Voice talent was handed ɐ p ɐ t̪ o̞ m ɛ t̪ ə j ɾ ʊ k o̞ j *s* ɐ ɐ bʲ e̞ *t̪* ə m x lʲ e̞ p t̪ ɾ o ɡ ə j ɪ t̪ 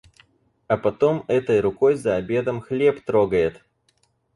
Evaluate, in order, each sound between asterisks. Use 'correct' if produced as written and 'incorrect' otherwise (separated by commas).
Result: incorrect, incorrect